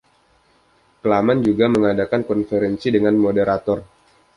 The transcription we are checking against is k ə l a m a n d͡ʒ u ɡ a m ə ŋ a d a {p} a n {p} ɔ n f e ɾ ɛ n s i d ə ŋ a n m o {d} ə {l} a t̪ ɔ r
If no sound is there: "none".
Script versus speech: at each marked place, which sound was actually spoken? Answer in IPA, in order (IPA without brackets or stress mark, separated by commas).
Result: k, k, d, ɾ